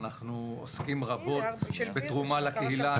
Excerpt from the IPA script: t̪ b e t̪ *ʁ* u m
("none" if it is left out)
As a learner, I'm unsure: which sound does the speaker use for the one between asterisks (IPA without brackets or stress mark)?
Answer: ʁ